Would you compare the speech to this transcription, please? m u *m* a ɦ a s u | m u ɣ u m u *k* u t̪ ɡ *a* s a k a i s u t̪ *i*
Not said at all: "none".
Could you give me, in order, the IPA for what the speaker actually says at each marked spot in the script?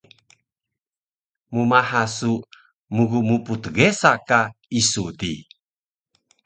m, p, e, i

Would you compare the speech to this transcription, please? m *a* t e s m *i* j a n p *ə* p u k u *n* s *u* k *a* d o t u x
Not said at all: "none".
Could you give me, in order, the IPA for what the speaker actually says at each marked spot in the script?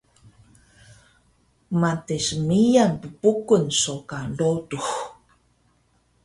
a, i, ə, n, o, a

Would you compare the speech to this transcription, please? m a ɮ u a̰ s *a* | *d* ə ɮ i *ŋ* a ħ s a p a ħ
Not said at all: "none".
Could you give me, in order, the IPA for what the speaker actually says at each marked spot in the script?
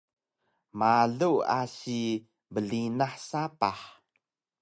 i, b, n

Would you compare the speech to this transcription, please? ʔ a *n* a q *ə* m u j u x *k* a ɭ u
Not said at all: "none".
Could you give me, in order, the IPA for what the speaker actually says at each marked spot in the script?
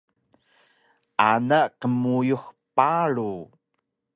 n, ə, p

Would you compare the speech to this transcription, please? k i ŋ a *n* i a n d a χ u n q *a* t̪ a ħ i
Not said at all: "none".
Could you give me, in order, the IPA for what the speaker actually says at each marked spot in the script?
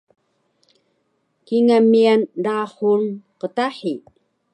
m, ə

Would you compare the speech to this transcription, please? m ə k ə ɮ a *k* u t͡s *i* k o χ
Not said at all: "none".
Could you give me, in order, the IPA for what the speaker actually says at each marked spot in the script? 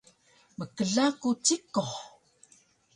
k, i

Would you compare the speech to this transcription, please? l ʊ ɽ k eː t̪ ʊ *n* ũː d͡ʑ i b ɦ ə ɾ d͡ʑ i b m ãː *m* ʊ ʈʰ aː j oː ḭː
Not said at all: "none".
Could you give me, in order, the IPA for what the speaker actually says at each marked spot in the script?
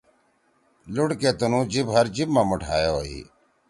n, m

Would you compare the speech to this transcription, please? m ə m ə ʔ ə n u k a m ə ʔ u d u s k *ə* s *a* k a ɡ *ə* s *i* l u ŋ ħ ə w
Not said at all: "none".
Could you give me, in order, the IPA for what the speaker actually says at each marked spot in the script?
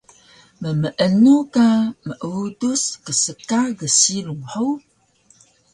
ə, ə, ə, i

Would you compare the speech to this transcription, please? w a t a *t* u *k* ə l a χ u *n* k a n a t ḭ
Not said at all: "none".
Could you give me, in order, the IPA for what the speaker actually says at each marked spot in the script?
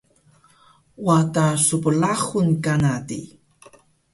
s, p, n

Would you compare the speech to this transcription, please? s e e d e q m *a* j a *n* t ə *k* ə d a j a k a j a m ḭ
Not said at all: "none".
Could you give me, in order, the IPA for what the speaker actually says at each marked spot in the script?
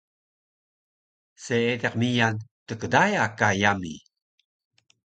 i, n, k

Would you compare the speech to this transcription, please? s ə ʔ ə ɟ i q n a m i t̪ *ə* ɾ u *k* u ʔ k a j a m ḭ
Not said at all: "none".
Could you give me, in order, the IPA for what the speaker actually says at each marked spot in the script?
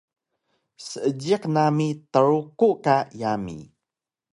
ə, k

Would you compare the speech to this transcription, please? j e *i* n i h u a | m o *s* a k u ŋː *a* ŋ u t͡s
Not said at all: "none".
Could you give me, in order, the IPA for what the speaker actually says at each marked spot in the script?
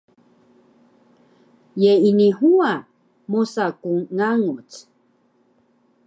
i, s, a

